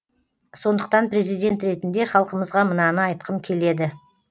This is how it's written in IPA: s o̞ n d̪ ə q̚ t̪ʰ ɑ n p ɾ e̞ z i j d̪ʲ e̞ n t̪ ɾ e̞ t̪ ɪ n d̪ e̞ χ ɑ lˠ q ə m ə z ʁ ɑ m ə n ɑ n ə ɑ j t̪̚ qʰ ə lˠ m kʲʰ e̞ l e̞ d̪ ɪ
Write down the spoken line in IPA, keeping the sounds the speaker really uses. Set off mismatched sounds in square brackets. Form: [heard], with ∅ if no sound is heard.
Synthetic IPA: s o̞ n d̪ ə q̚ [t̪] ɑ n p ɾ e̞ z i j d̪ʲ e̞ n t̪ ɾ e̞ t̪ ɪ n d̪ e̞ χ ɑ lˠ q ə m ə z ʁ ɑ m ə n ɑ n ə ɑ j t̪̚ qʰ ə [∅] m kʲʰ e̞ l e̞ d̪ ɪ